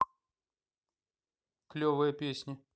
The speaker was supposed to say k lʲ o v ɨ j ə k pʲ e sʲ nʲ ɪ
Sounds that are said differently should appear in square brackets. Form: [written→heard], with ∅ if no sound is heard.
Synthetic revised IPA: k lʲ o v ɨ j ə [k→∅] pʲ e sʲ nʲ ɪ